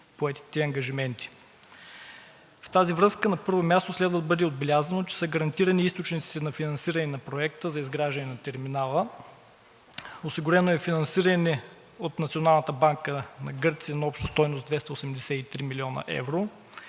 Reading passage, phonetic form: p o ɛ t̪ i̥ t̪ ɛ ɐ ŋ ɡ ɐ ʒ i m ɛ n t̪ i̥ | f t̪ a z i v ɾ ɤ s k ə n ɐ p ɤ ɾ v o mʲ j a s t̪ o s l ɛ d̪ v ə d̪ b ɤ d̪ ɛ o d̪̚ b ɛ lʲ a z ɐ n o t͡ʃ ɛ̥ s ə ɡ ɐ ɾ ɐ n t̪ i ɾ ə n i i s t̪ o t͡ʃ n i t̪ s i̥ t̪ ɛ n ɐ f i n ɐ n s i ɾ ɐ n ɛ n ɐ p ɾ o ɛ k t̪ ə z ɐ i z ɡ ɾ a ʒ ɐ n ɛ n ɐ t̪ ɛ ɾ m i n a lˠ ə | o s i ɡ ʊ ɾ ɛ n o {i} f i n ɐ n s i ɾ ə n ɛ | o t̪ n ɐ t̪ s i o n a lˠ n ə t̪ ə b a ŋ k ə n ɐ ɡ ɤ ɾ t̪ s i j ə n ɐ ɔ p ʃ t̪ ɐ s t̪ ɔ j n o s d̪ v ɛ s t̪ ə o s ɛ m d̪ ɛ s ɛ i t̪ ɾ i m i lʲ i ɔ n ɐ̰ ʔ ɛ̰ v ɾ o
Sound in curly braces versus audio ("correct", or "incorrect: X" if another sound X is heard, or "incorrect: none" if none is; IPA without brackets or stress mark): incorrect: ɛ